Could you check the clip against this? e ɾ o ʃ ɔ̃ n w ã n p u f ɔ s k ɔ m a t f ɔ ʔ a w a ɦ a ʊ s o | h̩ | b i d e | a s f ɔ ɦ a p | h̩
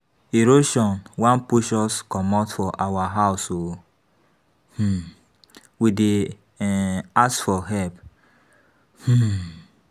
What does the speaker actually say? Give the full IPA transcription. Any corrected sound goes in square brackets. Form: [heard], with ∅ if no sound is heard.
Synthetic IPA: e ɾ o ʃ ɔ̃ n w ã n p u [ʃ] ɔ s k ɔ m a t f ɔ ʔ a w a ɦ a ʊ s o | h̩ | [w] i d e | a s f ɔ ɦ [ɛ] p | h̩